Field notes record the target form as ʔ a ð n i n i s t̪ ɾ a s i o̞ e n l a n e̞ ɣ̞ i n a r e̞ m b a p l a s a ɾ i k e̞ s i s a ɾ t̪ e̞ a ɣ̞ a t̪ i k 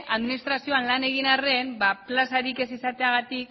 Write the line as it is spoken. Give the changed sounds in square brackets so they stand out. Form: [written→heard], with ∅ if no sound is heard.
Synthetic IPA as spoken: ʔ a ð [n→m] i n i s t̪ ɾ a s i o̞ [e→a] n l a n e̞ ɣ̞ i n a r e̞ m b a p l a s a ɾ i k e̞ s i s a [ɾ→∅] t̪ e̞ a ɣ̞ a t̪ i k